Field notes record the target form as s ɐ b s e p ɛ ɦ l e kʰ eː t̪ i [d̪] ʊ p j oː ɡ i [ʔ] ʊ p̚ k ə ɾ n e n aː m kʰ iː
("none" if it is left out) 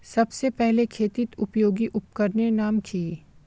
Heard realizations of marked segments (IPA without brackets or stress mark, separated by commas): t̪, ʔ